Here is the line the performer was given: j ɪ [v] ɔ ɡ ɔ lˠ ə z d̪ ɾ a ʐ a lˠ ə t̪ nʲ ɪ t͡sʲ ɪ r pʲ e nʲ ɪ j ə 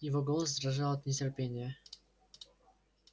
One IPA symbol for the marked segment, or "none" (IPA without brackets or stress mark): v